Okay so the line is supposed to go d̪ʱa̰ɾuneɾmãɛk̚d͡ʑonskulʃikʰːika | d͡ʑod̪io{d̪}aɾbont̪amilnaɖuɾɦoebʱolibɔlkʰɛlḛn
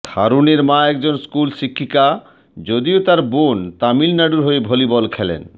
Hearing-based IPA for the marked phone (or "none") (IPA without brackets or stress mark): t̪